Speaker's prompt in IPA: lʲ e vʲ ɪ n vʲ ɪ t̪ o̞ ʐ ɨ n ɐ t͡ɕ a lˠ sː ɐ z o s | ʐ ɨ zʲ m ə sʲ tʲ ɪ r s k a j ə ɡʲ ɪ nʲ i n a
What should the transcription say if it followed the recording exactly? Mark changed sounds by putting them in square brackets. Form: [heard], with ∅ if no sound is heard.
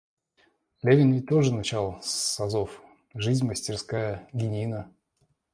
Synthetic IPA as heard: lʲ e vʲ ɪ n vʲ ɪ t̪ o̞ ʐ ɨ n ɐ t͡ɕ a lˠ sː ɐ z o [f] | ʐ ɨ zʲ m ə sʲ tʲ ɪ r s k a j ə ɡʲ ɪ nʲ i n [ə]